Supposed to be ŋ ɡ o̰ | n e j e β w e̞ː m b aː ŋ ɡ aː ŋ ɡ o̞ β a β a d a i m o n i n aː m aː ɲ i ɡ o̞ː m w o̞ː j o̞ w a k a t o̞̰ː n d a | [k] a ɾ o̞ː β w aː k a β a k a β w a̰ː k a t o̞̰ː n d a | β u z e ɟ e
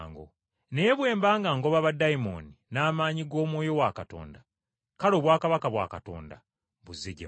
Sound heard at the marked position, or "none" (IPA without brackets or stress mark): k